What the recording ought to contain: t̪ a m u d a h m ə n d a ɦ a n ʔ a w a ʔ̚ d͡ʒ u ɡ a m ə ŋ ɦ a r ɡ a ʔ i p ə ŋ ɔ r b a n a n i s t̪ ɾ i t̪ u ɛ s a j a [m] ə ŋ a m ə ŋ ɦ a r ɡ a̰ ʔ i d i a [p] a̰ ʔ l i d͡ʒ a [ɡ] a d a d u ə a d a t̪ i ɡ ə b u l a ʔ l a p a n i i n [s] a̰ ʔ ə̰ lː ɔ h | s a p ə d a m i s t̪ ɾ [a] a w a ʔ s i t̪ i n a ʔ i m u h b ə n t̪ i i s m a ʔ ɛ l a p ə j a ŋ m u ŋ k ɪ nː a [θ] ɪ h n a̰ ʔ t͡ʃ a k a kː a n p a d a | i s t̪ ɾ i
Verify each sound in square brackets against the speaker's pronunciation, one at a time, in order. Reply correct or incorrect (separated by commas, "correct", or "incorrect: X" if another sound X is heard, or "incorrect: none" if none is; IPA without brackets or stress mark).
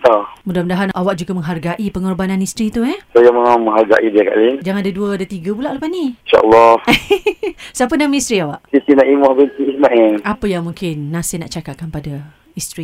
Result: correct, incorrect: k, incorrect: ŋ, incorrect: ʃ, incorrect: i, incorrect: s